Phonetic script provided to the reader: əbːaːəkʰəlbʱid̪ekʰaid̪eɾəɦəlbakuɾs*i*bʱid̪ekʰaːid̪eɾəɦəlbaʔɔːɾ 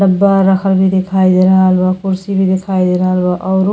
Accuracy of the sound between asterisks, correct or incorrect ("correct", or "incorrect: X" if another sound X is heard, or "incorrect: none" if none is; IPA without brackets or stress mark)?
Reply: correct